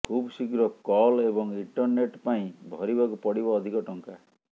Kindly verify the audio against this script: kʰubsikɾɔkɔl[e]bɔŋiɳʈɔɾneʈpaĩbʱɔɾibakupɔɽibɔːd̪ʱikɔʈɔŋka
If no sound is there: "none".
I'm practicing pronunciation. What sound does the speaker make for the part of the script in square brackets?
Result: e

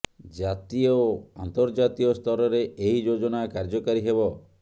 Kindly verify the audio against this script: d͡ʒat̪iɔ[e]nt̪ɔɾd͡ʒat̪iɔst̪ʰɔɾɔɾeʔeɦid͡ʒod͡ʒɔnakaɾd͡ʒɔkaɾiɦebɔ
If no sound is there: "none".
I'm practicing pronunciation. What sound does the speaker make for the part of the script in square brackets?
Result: a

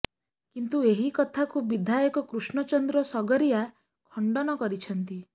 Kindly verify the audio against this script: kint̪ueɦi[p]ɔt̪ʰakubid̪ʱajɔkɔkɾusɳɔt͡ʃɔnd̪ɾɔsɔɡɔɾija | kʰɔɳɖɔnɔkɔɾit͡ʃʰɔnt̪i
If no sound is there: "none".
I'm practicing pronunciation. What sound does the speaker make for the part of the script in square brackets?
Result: k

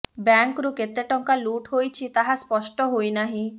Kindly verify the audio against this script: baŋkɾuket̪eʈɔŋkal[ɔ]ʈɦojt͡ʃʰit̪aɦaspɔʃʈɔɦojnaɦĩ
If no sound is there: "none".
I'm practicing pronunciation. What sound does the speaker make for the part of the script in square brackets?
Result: u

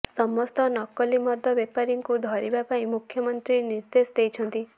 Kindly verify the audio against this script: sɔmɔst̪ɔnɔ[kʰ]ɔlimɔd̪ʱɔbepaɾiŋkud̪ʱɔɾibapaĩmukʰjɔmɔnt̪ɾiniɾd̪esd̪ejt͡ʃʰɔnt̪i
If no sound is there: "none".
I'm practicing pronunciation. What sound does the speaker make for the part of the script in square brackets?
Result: k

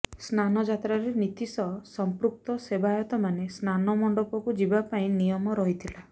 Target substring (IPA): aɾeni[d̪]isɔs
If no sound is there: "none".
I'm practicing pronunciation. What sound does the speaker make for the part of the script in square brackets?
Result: t̪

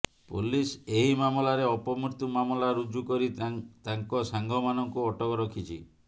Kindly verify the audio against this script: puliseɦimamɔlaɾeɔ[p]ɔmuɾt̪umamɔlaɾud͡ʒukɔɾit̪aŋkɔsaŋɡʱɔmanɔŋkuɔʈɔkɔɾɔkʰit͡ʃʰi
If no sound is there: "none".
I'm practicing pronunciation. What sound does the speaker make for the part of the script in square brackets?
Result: p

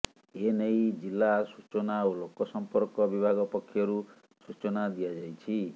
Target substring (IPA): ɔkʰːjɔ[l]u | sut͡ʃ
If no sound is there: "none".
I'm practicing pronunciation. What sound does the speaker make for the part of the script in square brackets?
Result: ɾ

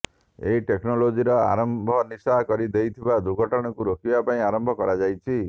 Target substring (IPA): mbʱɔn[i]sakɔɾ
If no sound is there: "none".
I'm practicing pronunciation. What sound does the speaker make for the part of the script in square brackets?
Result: i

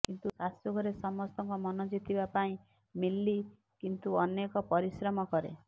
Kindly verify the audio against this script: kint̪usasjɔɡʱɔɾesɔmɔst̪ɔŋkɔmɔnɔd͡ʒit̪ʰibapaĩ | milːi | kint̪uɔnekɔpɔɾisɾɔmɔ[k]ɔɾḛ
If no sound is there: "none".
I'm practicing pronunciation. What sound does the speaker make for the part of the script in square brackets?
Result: k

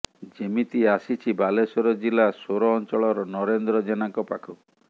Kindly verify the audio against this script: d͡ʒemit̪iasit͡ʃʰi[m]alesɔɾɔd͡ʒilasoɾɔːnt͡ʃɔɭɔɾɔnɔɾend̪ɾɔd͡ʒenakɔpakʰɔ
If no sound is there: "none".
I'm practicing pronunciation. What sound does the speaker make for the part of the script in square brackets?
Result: b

